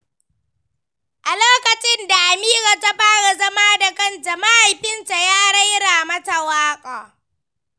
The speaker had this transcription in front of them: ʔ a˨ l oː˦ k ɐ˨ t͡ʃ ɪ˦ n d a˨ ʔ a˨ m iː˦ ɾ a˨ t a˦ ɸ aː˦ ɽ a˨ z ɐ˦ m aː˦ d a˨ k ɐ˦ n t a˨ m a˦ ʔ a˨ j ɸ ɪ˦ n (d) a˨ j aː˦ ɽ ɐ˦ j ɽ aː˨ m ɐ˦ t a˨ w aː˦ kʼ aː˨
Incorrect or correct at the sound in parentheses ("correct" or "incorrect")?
incorrect